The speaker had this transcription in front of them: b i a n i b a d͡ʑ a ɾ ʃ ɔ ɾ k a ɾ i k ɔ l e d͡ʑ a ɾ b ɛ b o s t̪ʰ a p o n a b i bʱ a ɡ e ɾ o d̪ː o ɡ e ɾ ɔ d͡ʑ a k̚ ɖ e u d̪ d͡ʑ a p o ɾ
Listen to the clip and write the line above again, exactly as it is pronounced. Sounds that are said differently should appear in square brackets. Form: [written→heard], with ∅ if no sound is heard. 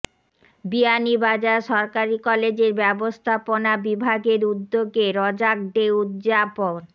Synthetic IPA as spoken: b i a n i b a d͡ʑ a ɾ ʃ ɔ ɾ k a ɾ i k ɔ l e d͡ʑ [a→e] ɾ b ɛ b o s t̪ʰ a p o n a b i bʱ a ɡ e ɾ [o→u] d̪ː o ɡ e ɾ ɔ d͡ʑ a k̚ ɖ e u d̪ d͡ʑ a p o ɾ